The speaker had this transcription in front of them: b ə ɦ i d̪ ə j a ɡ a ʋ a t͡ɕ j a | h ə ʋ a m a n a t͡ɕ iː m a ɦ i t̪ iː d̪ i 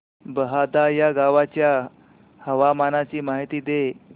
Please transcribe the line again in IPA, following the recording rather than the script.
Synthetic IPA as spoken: b ə ɦ a d̪ a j a ɡ a ʋ a t͡ɕ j a | h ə ʋ a m a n a t͡ɕ iː m a ɦ i t̪ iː d̪ e